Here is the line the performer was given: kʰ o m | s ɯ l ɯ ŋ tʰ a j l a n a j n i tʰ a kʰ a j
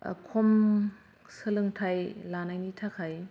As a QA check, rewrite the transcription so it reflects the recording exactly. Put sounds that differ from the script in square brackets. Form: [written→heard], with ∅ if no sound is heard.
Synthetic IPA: kʰ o m | s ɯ l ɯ ŋ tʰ a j l a n a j n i tʰ a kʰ a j